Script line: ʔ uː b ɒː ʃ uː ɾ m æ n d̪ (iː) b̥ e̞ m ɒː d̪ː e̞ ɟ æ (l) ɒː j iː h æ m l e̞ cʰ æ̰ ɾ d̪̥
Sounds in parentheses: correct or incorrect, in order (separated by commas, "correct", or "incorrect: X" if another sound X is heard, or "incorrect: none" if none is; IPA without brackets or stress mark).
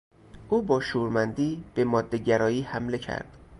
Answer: correct, incorrect: ɾ